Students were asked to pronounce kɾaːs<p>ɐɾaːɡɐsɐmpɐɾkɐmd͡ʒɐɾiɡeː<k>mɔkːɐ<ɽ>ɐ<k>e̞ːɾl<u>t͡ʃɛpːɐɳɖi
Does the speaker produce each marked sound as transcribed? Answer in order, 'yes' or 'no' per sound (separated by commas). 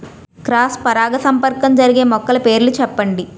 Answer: yes, no, no, no, yes